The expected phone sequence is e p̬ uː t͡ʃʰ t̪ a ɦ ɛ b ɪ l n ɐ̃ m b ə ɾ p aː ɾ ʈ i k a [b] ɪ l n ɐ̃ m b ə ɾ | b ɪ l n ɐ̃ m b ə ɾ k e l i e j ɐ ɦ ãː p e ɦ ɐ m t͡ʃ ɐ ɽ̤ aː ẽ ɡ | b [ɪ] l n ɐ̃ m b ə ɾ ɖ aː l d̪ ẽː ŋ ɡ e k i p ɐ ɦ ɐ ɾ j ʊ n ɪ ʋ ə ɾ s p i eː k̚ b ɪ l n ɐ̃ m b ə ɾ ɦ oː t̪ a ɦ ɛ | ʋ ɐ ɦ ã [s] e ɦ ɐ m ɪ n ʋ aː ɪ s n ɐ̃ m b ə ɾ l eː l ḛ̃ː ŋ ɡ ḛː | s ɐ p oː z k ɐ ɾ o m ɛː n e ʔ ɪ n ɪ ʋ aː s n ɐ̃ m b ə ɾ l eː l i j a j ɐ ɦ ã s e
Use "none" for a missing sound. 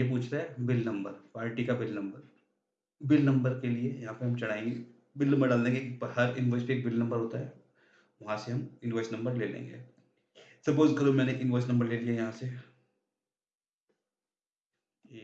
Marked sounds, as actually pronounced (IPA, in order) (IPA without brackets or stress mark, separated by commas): b, ɪ, s